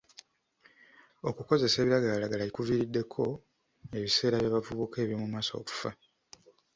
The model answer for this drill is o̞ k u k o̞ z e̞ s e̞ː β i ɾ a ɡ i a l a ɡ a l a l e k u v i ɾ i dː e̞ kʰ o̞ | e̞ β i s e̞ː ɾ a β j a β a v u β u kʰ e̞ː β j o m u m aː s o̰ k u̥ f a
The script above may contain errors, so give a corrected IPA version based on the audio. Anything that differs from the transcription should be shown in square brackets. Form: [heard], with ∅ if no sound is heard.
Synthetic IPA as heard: o̞ k u k o̞ z e̞ s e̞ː β i ɾ a ɡ [a] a l a ɡ a l a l [i] k u v i ɾ i dː e̞ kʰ o̞ | e̞ β i s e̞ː ɾ a β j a β a v u β u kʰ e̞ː β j o m u m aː s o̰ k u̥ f a